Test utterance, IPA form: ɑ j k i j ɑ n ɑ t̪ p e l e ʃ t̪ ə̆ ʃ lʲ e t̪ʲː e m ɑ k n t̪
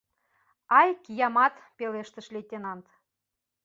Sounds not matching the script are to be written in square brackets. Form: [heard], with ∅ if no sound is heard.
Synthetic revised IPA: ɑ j k i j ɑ [m] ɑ t̪ p e l e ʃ t̪ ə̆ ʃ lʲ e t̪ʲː e [n] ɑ [∅] n t̪

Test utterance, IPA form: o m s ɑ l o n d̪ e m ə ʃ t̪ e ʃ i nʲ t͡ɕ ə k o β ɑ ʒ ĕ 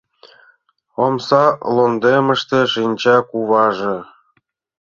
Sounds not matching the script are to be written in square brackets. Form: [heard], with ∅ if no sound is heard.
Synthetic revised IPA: o m s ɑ l o n d̪ e m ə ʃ t̪ e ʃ i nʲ t͡ɕ [ɑ] k [u] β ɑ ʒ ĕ

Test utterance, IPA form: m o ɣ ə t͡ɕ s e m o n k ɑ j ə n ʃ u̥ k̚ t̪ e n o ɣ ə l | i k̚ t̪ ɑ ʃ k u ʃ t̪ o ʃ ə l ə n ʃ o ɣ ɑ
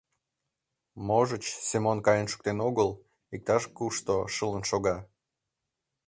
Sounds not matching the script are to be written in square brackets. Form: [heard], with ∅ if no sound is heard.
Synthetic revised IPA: m o [ʒ] ə t͡ɕ s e m o n k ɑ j ə n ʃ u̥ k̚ t̪ e n o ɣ ə l | i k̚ t̪ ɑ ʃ k u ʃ t̪ o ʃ ə l ə n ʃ o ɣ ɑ

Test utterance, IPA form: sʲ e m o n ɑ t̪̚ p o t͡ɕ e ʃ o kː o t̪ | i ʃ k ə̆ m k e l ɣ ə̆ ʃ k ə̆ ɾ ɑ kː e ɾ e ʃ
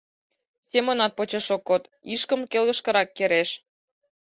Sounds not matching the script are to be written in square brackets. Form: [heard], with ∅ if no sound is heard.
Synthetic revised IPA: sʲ e m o n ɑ t̪̚ p o t͡ɕ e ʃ o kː o t̪ | i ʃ k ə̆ m k e l ɣ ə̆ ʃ k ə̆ ɾ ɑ kː e ɾ e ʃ

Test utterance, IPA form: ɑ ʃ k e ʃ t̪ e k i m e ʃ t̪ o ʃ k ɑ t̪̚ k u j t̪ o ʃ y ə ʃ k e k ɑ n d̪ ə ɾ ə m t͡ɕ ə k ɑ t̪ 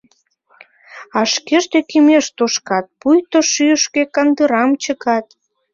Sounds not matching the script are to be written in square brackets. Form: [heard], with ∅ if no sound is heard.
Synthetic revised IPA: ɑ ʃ k e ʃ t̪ e k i m e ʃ t̪ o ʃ k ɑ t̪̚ [p] u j t̪ o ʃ y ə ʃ k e k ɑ n d̪ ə ɾ [ɑ] m t͡ɕ ə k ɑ t̪

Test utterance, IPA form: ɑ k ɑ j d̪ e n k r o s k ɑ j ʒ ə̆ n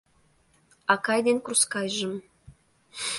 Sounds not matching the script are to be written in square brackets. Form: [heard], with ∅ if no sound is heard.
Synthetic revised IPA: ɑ k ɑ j d̪ e n k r [u] s k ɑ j ʒ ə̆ [m]

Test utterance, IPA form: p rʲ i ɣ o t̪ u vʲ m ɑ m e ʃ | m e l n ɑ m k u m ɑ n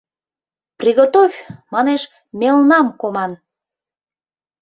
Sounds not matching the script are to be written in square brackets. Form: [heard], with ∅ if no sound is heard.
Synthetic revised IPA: p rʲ i ɣ o t̪ [o] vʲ m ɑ [n] e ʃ | m e l n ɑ m k [o] m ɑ n

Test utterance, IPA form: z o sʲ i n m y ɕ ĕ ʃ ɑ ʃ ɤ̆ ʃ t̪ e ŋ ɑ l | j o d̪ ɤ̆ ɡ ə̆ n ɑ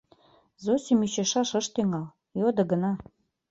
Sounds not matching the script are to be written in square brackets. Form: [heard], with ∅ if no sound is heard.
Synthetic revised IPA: z o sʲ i [∅] m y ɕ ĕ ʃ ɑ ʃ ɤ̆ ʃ t̪ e ŋ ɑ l | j o d̪ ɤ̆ ɡ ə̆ n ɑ

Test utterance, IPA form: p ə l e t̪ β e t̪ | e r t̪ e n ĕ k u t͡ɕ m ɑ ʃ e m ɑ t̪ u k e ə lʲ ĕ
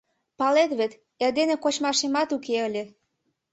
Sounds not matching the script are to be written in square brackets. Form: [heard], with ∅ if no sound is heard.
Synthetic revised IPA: p [ɑ] l e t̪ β e t̪ | e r [d̪] e n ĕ k [o] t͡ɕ m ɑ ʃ e m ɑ t̪ u k e ə lʲ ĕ

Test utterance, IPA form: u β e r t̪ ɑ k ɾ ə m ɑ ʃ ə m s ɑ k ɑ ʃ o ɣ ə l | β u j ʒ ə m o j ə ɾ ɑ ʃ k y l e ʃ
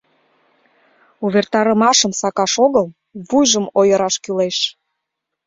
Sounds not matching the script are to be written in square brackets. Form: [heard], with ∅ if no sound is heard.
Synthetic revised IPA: u β e r t̪ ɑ [∅] ɾ ə m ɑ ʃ ə m s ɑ k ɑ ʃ o ɣ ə l | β u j ʒ ə m o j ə ɾ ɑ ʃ k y l e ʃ

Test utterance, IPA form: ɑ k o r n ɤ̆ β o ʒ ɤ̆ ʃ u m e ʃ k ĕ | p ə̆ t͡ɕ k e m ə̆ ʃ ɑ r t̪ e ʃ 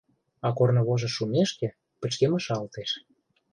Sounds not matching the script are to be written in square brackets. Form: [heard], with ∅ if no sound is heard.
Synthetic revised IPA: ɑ k o r n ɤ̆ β o ʒ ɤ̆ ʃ u m e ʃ k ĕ | p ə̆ t͡ɕ k e m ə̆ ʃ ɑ [l] t̪ e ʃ

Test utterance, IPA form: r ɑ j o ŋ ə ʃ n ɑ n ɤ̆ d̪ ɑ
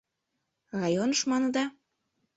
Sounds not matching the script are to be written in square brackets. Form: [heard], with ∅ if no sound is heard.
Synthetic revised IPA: r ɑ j o [n] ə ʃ [m] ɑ n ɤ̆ d̪ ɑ

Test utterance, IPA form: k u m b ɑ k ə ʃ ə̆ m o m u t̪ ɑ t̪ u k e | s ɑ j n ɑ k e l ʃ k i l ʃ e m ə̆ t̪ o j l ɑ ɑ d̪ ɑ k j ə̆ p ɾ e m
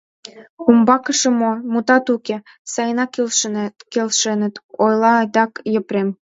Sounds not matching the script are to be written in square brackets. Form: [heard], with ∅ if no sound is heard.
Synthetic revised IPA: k u m b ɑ k ə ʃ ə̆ m o m u t̪ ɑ t̪ u k e | s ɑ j n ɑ k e l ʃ k [e] l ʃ e [n] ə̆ t̪ o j l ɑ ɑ d̪ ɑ k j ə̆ p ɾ e m

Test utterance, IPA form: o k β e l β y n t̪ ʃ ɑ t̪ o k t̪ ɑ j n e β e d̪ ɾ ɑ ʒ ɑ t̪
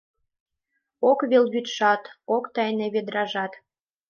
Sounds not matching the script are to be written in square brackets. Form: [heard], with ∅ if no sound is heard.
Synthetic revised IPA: o k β e l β y [∅] t̪ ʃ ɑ t̪ o k t̪ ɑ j n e β e d̪ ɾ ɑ ʒ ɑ t̪

